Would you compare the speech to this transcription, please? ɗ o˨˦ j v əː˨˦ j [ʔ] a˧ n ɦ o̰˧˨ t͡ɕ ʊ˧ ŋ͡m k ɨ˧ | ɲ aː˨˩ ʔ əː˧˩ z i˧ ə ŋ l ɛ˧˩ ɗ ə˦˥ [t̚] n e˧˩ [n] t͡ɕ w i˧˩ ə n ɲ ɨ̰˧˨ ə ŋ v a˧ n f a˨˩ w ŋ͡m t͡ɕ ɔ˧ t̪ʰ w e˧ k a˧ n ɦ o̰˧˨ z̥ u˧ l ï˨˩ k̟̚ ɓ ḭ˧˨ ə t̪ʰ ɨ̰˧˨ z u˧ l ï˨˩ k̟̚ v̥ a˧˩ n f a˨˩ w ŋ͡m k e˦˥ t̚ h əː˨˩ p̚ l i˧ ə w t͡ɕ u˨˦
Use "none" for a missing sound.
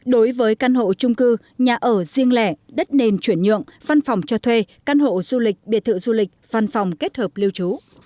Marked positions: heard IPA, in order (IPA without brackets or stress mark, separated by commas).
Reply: k, t̚, n